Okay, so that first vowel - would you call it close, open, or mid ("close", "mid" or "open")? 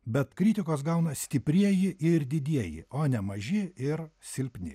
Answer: mid